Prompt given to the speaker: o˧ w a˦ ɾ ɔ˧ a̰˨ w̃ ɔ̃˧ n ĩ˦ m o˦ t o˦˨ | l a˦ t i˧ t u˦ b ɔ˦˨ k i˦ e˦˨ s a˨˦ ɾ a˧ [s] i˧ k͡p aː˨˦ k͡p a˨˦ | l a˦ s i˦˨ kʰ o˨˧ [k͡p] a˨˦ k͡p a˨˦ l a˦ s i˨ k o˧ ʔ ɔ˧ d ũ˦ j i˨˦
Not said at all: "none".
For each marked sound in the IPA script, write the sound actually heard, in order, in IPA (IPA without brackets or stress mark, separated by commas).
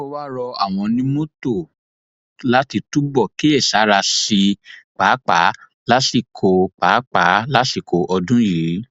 s, k͡p